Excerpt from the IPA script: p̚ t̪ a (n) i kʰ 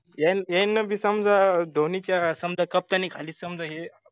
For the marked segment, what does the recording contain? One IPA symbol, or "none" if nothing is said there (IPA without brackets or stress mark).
n